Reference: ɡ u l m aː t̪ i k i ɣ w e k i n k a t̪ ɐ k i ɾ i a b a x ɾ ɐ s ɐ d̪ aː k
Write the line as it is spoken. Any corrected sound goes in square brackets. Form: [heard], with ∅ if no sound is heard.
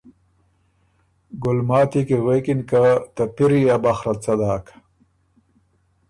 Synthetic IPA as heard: ɡ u l m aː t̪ i k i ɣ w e k i n k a t̪ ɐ [p] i ɾ i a b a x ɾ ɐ [t͡s] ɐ d̪ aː k